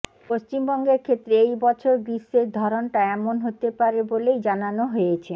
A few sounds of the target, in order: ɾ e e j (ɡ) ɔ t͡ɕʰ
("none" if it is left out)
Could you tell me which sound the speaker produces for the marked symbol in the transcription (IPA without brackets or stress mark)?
b